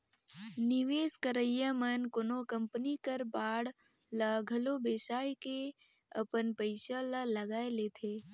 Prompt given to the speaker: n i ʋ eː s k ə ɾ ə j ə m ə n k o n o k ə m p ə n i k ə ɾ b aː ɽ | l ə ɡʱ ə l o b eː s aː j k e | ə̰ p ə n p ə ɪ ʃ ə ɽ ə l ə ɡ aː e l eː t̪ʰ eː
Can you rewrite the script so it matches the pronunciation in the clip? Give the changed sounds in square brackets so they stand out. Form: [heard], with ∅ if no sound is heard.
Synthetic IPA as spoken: n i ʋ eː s k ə ɾ ə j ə m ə n k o n o k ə m p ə n i k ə ɾ b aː ɽ | l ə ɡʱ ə l o b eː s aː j k e | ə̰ p ə n p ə ɪ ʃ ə [l] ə l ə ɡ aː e l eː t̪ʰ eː